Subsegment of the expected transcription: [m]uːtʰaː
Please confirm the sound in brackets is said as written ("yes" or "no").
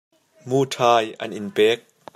yes